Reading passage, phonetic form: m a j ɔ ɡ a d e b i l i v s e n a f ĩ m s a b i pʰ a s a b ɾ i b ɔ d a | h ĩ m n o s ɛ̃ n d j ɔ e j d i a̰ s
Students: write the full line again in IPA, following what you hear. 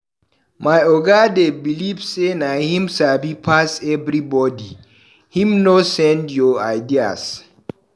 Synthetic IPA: m a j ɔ ɡ a d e b i l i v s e n a h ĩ m s a b i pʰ a s ɛ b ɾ i b ɔ d i | h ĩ m n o s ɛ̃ n d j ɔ a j d i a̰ s